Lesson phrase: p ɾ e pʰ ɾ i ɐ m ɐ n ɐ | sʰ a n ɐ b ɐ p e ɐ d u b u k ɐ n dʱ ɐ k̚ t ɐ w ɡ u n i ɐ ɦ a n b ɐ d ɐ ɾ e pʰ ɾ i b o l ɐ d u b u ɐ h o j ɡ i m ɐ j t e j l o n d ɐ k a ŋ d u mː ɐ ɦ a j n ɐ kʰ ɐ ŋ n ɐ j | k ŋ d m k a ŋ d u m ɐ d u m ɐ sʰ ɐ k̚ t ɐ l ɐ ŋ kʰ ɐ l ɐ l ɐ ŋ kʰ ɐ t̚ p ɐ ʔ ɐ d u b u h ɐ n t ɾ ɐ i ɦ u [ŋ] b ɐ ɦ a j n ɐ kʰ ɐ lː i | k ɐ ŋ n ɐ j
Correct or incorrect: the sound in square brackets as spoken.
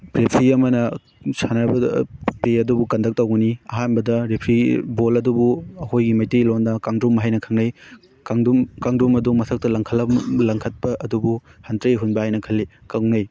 incorrect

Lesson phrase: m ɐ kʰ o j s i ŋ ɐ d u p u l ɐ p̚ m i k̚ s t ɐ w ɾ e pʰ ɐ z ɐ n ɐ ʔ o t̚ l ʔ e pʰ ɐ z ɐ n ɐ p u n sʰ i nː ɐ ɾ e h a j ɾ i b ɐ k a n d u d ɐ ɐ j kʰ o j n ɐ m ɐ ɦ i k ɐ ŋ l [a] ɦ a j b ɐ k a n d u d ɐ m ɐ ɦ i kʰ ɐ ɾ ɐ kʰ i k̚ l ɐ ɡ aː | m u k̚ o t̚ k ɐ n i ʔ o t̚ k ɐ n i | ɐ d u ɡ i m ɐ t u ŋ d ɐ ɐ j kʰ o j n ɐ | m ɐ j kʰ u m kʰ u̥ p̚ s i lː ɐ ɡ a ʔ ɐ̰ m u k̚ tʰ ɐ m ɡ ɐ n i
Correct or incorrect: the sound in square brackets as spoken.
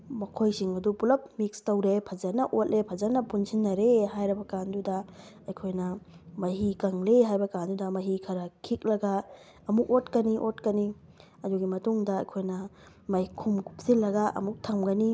incorrect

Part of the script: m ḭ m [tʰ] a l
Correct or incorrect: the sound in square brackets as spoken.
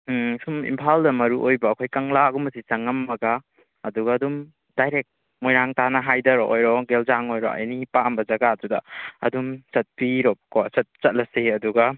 incorrect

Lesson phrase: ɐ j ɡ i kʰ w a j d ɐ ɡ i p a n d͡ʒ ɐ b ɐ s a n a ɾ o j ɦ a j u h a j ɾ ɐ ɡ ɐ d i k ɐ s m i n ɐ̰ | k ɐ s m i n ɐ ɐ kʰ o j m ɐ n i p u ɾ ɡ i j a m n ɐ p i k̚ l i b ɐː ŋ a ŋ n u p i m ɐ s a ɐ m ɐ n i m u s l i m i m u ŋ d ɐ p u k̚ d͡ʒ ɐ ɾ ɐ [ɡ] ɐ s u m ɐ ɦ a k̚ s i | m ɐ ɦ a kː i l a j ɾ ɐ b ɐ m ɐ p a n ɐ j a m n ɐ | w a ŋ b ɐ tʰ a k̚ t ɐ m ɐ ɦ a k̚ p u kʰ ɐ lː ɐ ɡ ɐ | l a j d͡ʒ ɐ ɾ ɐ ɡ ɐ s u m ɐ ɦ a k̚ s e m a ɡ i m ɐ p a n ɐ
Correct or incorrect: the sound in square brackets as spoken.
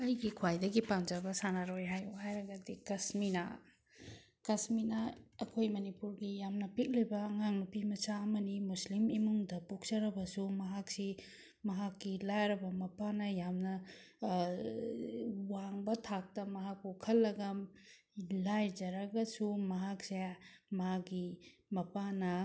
incorrect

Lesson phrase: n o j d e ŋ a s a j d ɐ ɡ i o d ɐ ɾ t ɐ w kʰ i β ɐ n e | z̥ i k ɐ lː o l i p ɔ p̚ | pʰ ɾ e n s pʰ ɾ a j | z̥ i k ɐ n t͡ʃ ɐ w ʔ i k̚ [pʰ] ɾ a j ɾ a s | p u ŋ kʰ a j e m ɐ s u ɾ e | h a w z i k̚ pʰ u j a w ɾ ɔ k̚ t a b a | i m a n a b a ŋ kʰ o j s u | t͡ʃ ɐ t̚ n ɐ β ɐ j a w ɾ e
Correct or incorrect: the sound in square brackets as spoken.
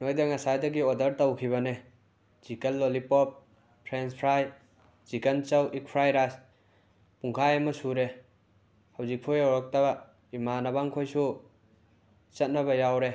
correct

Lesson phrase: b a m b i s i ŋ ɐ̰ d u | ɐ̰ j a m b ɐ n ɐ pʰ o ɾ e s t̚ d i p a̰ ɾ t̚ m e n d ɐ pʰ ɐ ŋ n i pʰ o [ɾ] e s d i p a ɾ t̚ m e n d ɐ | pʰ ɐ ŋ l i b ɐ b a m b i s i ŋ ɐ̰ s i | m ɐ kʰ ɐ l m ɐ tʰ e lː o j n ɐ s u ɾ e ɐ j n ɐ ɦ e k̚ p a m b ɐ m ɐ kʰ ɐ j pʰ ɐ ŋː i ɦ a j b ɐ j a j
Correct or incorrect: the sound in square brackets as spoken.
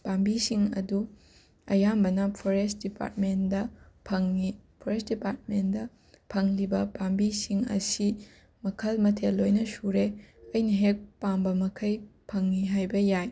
correct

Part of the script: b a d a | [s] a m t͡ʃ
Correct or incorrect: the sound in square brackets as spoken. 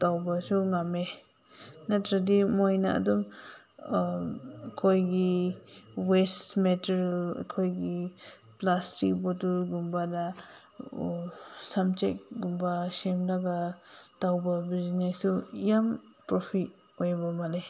correct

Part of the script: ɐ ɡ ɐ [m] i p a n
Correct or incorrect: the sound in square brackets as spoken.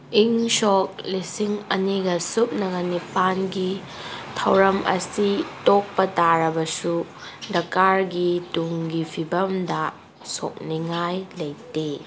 incorrect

